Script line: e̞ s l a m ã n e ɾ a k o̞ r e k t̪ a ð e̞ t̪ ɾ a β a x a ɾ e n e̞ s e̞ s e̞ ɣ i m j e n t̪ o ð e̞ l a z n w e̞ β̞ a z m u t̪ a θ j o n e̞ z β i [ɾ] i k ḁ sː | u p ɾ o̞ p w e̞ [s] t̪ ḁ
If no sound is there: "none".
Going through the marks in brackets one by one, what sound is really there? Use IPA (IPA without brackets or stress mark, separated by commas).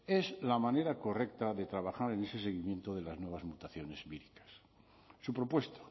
ɾ, s